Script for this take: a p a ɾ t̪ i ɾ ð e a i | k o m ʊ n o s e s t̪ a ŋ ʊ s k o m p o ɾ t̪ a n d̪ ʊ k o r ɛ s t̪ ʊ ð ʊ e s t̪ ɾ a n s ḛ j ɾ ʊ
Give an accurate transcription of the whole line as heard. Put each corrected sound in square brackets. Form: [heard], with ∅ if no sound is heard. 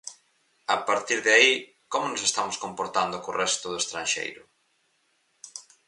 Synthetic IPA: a p a ɾ t̪ i ɾ ð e a i | k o m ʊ n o s e s t̪ a [m] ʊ s k o m p o ɾ t̪ a n d̪ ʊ k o r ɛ s t̪ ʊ ð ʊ e s t̪ ɾ a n [ʃ] ḛ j ɾ ʊ